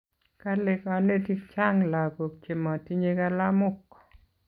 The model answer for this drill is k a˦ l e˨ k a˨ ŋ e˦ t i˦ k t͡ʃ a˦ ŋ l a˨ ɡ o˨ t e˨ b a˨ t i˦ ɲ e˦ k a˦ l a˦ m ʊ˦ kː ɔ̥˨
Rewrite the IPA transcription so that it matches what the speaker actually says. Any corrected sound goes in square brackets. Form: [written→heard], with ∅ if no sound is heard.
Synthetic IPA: k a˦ l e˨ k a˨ [ŋ→n] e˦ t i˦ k t͡ʃ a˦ ŋ l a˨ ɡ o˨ [t→t͡ʃ] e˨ [b→m] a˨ t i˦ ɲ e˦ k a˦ l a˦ m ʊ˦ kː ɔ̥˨